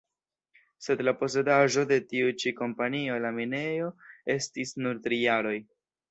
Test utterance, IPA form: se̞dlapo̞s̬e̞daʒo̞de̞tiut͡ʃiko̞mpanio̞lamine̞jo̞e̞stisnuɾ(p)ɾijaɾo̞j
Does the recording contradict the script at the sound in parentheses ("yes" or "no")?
yes